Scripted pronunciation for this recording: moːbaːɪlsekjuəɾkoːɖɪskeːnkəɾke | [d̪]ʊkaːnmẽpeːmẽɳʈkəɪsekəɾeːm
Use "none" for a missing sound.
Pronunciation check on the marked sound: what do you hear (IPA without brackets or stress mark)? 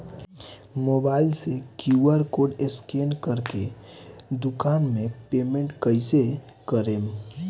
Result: d̪